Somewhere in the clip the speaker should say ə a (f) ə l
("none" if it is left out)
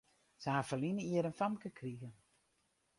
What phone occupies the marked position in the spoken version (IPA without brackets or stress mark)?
f